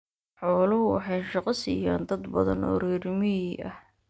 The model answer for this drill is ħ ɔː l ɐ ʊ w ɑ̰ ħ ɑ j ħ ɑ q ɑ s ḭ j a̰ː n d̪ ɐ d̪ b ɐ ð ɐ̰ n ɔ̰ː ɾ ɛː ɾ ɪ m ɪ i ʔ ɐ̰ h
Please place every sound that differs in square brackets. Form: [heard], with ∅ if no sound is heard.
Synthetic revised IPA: ħ ɔː l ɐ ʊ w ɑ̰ ħ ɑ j [ʃ] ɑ q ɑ s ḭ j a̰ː n d̪ ɐ d̪ b ɐ ð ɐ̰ n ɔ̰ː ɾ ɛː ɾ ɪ m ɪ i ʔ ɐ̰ h